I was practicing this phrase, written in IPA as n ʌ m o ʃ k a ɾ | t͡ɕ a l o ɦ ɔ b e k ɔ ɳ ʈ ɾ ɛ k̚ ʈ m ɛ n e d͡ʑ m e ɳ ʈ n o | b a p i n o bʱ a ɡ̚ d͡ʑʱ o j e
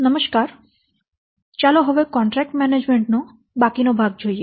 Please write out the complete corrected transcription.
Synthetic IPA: n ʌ m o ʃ k a ɾ | t͡ɕ a l o ɦ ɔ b e k ɔ ɳ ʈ ɾ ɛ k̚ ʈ m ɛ n e d͡ʑ m e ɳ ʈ n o | b a k i n o bʱ a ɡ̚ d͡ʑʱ o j e

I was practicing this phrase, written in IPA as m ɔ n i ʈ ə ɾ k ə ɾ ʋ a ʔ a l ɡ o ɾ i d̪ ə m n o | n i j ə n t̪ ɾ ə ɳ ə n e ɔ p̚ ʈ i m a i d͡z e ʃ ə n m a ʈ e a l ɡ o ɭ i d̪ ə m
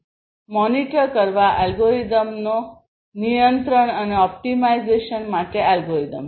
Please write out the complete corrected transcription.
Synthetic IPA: m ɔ n i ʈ ə ɾ k ə ɾ ʋ a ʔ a l ɡ o ɾ i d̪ ə m n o | n i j ə n t̪ ɾ ə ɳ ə n e ɔ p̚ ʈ i m a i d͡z e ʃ ə n m a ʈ e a l ɡ o ɾ i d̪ ə m

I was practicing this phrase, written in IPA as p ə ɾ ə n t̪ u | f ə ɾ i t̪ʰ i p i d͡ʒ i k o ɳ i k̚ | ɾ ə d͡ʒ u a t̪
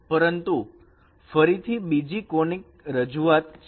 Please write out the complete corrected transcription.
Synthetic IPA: p ə ɾ ə n t̪ u | f ə ɾ i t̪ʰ i b i d͡ʒ i k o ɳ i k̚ | ɾ ə d͡ʒ u a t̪

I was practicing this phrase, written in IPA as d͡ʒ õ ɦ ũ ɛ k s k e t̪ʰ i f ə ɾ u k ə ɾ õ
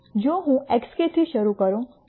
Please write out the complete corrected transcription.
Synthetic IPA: d͡ʒ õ ɦ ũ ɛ k s k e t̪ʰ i ʃ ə ɾ u k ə ɾ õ

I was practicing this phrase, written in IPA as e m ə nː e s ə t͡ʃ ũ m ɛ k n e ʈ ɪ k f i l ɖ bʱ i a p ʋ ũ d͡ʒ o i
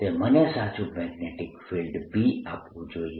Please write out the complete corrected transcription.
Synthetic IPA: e m ə n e s a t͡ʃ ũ m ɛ ɡ n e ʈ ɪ k f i l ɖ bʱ i a p ʋ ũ d͡ʒ o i

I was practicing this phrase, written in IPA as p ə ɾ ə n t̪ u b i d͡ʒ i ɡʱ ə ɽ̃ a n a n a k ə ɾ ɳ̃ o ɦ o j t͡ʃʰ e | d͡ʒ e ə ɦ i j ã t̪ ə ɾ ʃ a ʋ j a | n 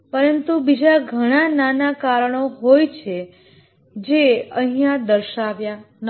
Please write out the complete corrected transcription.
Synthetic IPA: p ə ɾ ə n t̪ u b i d͡ʒ a ɡʱ ə ɽ̃ a n a n a k a ɾ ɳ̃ o ɦ o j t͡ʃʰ e | d͡ʒ e ə ɦ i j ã d̪ ə ɾ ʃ a ʋ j a | n

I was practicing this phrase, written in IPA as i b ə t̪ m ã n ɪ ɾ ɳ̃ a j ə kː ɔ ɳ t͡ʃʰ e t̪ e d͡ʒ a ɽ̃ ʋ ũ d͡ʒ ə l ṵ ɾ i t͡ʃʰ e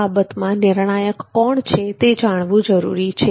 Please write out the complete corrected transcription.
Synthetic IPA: a b ə t̪ m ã n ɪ ɾ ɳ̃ a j ə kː ɔ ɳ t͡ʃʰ e t̪ e d͡ʒ a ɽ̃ ʋ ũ d͡ʒ ə ɾ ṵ ɾ i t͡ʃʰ e

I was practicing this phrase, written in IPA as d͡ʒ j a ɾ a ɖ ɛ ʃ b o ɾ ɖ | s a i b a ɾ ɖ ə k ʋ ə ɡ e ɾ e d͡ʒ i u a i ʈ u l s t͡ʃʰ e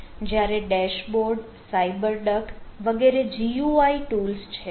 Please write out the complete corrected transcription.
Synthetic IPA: d͡ʒ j a ɾ e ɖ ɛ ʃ b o ɾ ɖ | s a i b ə ɾ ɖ ə k ʋ ə ɡ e ɾ e d͡ʒ i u a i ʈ u l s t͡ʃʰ e

